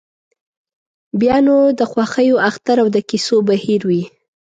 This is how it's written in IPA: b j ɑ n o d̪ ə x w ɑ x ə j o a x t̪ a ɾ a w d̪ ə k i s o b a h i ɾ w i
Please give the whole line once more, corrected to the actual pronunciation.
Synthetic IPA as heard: b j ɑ n o d̪ ə x w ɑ x ə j o a x t̪ a ɾ a w d̪ ə k i s o b a h i ɾ w i